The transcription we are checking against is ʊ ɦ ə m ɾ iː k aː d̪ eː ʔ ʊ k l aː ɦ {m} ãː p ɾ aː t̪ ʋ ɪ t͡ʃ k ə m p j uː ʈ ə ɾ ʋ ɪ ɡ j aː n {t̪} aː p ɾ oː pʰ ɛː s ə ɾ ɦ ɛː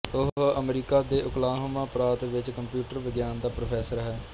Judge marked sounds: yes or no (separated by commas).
yes, no